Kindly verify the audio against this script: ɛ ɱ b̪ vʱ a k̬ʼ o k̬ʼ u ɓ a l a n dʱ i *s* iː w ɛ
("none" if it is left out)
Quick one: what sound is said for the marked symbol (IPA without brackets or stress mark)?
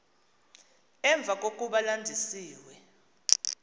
s